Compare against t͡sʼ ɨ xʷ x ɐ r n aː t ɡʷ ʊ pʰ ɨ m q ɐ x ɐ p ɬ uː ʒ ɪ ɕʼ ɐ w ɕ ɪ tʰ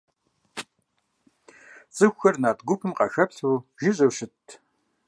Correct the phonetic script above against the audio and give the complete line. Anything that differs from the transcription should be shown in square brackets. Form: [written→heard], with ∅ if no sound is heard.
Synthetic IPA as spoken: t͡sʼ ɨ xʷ x ɐ r n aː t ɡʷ ʊ pʰ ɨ m q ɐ x ɐ p ɬ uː ʒ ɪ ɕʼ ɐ w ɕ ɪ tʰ